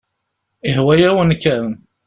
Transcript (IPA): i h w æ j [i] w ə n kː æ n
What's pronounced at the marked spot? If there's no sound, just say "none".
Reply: æ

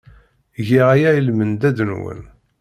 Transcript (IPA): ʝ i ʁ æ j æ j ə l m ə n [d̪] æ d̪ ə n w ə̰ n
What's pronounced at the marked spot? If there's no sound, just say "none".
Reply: d̪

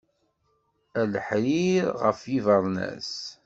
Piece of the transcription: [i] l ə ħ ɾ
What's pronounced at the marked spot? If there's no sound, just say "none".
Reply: æ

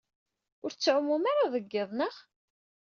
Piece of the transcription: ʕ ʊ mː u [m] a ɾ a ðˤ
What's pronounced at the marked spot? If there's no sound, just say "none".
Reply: m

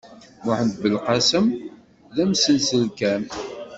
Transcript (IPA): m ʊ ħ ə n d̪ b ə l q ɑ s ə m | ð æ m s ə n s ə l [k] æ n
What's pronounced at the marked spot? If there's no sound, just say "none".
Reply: k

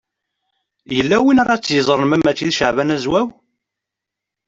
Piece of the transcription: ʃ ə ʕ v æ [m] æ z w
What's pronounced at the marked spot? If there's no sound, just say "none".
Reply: n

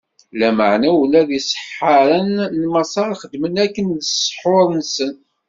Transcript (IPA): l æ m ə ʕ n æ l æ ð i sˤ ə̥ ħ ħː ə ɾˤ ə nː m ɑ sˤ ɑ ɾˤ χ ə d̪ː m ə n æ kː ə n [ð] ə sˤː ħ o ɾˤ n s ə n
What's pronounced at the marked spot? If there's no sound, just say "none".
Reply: ð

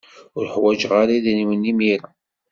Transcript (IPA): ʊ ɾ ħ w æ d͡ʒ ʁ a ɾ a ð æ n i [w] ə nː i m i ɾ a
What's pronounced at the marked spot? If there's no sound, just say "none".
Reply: w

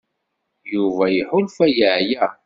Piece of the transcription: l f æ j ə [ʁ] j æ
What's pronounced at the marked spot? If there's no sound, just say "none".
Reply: ʕ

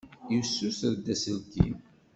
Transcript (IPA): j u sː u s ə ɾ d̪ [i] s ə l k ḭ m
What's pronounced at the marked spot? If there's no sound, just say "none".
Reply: æ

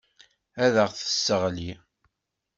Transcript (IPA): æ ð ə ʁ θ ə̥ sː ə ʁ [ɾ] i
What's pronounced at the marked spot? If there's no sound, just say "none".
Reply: l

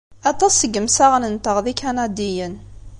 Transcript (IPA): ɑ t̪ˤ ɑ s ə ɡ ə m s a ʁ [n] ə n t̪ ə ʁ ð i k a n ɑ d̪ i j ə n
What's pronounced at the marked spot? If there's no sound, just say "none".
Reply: n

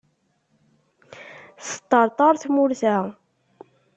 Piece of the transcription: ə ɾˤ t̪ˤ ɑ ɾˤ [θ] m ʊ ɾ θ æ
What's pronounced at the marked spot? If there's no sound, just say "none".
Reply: θ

